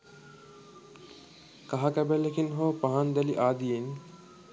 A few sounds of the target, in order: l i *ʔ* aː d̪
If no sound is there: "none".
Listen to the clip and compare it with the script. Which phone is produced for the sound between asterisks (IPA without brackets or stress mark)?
ʔ